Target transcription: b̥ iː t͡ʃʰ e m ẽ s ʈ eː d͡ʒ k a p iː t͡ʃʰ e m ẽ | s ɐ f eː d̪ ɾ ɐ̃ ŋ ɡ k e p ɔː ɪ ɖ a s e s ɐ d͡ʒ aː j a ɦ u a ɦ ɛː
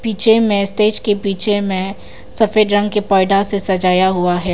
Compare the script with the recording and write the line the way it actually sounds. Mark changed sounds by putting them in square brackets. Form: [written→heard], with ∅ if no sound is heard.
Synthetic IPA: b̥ iː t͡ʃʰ e m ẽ s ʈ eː d͡ʒ k [a→e] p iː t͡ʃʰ e m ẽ | s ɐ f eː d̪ ɾ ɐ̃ ŋ ɡ k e p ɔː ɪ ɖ a s e s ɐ d͡ʒ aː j a ɦ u a ɦ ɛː